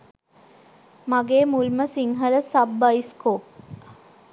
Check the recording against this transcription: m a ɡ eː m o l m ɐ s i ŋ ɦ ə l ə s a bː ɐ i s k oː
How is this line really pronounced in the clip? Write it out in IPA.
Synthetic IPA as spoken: m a ɡ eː m u l m ə s i ŋ ɦ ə l ə s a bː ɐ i s k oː

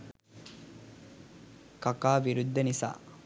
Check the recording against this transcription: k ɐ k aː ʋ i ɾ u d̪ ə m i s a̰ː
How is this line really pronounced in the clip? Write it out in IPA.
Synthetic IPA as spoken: k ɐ k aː ʋ i ɾ u d̪ː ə n i s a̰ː

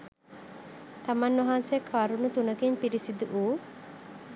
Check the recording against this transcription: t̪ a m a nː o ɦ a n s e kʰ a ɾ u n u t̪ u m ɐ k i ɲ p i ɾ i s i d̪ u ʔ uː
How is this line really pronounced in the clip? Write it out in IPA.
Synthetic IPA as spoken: t̪ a m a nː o ɦ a n s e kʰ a ɾ u n u t̪ u n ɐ k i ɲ p i ɾ i s i d̪ u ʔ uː

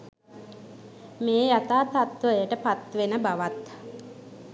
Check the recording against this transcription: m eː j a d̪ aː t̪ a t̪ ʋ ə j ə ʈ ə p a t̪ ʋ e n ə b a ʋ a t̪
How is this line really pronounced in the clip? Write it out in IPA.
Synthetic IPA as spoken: m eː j a t̪ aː t̪ a t̪ ʋ ə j ə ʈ ə p a t̪ ʋ e n ə b a ʋ a t̪

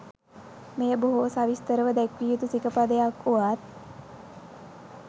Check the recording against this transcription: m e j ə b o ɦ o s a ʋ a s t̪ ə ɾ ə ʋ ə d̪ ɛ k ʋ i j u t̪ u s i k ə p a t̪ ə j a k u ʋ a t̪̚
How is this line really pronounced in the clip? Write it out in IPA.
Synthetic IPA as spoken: m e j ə b o ɦ o s a ʋ i s t̪ ə ɾ ə ʋ ə d̪ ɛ k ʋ i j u t̪ u s i k ə p a d̪ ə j a k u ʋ a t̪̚

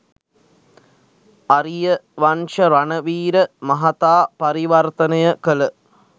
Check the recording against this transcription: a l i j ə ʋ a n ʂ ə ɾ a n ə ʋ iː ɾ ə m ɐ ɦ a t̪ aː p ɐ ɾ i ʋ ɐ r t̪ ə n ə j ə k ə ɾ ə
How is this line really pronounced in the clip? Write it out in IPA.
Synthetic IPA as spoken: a ɾ i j ə ʋ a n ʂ ə ɾ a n ə ʋ iː ɾ ə m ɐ ɦ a t̪ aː p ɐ ɾ i ʋ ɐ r t̪ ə n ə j ə k ə l ə

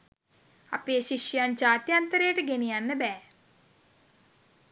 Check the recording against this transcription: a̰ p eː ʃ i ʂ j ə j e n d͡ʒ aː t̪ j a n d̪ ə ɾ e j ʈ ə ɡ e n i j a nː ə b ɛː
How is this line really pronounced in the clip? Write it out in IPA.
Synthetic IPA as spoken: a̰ p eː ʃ i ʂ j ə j a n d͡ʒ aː t̪ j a n t̪ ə ɾ e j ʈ ə ɡ e n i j a nː ə b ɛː

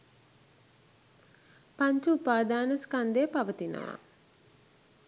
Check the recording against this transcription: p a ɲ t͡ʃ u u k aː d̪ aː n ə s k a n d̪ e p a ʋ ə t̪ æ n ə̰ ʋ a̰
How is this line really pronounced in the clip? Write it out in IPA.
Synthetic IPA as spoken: p a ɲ t͡ʃ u u p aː d̪ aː n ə s k a n d̪ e p a ʋ ə t̪ i n ə̰ ʋ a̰

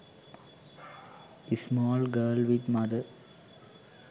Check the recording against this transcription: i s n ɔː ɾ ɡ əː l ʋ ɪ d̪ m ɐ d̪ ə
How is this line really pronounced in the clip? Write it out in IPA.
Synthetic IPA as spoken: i s m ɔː l ɡ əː l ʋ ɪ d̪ m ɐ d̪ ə

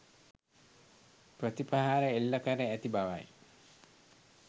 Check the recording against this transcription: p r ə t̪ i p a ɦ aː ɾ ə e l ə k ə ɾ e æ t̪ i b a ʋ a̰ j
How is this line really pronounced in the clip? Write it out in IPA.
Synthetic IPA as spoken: p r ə t̪ i p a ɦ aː ɾ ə e lː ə k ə ɾ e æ t̪ i b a ʋ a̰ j

